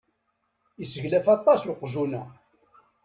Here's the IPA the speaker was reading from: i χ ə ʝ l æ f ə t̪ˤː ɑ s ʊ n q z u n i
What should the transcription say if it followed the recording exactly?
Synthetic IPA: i s ə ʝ l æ f ɑ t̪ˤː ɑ s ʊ q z u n æ

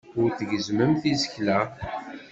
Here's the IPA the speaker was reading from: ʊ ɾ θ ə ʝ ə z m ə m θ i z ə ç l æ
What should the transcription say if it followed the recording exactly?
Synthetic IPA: ʊ ɾ θ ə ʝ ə z m ə m θ i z ə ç l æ

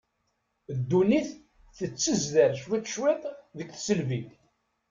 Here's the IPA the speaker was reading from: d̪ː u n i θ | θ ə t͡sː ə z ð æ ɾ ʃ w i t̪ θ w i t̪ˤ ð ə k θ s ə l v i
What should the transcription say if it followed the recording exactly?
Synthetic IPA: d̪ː u n i θ | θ ə t͡sː ə z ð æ ɾ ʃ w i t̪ ʃ w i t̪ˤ ð ə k θ s ə l v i

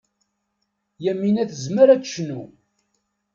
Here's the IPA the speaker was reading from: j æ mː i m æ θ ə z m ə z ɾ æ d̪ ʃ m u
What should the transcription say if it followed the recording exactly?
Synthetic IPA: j æ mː i n æ θ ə z m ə ɾ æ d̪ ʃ n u

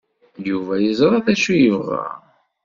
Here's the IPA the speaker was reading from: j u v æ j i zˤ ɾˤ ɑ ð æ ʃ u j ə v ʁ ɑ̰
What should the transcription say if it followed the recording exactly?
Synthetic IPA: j u v æ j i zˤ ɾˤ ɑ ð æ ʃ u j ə v ʁ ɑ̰

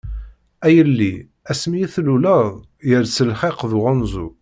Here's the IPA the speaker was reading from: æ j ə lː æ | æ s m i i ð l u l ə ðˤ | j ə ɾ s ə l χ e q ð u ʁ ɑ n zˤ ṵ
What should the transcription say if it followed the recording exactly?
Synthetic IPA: æ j ə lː i | æ s m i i θ l u l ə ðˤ | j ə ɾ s ə l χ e q ð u ʁ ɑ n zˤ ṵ

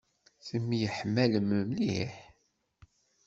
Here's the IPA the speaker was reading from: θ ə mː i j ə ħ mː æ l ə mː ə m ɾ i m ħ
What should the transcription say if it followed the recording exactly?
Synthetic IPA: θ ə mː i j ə ħ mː æ l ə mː ə m l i ħ

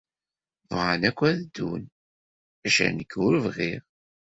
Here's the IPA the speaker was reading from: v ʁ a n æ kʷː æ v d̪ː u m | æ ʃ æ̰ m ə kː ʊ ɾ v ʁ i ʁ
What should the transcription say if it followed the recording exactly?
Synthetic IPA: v ʁ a n æ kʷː æ ð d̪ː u n | æ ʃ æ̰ n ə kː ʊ ɾ v ʁ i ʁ

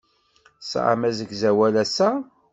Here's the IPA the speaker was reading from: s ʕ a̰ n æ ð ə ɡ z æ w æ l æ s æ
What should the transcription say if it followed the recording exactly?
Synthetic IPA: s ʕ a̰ m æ z ə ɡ z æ w æ l æ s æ

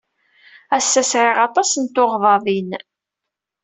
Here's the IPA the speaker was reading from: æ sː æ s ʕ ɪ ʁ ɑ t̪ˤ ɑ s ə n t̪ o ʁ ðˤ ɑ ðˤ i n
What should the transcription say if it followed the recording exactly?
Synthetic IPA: æ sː æ s ʕ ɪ ʁ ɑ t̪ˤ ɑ s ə n t̪ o ʁ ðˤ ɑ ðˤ i n

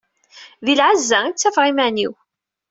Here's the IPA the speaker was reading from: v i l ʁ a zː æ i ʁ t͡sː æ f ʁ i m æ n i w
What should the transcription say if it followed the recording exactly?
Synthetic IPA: ð i l ʕ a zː æ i t͡sː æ f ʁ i m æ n i w

